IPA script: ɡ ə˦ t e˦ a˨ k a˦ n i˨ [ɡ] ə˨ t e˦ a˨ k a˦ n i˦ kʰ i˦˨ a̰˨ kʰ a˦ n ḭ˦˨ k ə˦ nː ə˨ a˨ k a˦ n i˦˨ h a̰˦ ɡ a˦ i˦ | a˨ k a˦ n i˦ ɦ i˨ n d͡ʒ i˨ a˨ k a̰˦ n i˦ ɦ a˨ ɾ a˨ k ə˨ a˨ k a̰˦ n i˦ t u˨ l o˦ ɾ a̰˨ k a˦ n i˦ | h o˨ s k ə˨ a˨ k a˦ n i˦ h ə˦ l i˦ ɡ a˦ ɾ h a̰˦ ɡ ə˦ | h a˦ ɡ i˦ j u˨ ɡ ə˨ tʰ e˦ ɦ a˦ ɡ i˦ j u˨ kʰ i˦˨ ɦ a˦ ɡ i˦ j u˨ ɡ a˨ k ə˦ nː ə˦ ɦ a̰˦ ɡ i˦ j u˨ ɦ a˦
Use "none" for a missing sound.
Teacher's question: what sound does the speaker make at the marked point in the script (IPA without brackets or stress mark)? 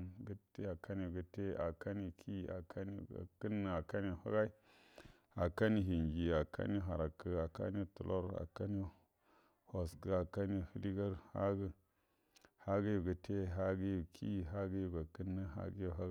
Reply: ɡ